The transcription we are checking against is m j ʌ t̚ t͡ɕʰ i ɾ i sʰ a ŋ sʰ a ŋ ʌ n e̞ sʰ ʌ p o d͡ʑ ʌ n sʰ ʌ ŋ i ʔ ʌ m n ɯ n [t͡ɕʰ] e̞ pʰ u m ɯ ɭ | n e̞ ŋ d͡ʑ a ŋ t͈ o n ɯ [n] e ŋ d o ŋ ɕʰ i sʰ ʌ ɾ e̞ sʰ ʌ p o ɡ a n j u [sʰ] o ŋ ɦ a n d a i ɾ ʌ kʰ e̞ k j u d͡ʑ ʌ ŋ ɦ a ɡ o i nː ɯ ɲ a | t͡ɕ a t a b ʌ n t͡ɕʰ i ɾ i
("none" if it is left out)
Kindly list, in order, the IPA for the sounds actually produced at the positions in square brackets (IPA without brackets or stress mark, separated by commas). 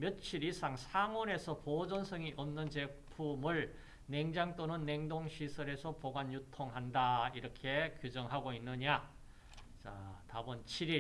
t͡ɕ, nː, tʰ